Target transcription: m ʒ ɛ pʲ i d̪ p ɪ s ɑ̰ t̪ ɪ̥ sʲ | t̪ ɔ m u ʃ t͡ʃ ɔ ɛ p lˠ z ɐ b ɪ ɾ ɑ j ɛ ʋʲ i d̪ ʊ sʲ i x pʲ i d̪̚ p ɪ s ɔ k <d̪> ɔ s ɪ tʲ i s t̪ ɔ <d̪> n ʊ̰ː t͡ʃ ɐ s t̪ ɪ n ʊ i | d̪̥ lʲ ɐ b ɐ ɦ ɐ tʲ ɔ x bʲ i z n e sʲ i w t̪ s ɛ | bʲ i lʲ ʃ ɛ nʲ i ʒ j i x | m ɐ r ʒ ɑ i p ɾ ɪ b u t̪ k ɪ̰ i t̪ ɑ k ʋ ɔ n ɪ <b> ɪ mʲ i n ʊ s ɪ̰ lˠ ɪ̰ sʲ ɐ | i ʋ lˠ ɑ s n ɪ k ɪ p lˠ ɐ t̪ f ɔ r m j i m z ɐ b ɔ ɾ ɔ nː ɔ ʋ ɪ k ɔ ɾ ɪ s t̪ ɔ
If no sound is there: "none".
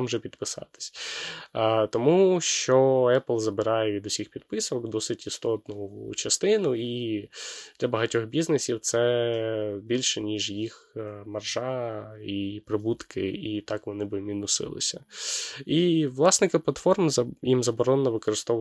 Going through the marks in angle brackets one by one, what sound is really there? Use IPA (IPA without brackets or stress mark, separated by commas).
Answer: d̪, t̪, b